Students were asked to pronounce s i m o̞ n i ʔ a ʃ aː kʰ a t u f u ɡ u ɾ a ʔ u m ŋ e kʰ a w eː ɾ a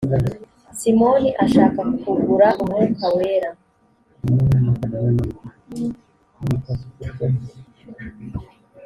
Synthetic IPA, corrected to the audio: s i m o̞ n i ʔ a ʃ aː k a k u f u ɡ u ɾ a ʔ u m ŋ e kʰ a w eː ɾ a